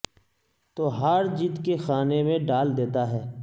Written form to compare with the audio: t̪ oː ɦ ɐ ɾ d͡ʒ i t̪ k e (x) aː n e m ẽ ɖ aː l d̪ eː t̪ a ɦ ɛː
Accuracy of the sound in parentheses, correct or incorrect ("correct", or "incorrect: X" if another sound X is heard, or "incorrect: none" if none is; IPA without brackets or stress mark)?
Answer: correct